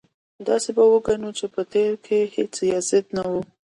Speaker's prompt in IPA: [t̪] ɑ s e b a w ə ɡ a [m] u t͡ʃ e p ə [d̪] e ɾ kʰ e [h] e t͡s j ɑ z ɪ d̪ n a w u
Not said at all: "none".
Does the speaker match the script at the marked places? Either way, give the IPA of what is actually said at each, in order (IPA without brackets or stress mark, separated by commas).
d̪, n, t̪, h